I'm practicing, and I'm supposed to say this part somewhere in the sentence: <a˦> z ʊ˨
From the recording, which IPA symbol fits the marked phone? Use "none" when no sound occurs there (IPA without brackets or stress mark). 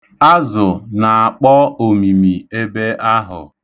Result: a˦